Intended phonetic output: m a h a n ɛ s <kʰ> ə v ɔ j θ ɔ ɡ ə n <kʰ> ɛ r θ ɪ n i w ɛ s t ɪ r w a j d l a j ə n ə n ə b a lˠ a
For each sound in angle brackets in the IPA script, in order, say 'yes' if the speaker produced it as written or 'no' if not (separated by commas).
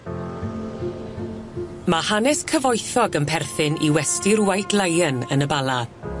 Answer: yes, no